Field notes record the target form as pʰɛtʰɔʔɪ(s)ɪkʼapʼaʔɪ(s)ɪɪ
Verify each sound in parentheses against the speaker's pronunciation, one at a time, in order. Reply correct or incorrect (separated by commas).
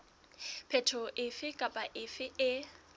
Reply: incorrect, incorrect